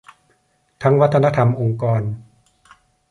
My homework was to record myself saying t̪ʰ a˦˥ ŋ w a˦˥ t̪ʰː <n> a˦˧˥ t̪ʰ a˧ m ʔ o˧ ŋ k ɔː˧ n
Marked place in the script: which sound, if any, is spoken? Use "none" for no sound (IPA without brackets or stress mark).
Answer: n